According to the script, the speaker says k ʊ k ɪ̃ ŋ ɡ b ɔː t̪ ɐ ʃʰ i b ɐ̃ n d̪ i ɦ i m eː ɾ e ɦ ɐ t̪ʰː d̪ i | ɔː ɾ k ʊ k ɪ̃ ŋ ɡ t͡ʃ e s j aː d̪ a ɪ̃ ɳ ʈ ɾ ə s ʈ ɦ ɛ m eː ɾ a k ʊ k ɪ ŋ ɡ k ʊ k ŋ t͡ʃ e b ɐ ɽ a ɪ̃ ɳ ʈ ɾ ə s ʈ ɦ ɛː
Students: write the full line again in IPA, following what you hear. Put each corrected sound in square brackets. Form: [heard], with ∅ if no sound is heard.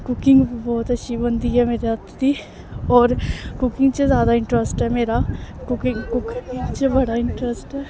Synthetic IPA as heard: k ʊ k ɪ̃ ŋ ɡ b ɔː t̪ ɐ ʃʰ i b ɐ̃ n d̪ i ɦ [ɛ] m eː ɾ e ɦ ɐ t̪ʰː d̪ i | ɔː ɾ k ʊ k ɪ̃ ŋ ɡ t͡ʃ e [z] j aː d̪ a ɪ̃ ɳ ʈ ɾ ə s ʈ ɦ ɛ m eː ɾ a k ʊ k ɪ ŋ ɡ k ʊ k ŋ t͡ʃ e b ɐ ɽ a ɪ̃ ɳ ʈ ɾ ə s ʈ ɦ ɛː